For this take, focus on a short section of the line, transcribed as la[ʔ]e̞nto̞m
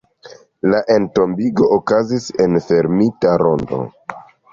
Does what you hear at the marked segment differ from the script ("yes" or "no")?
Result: no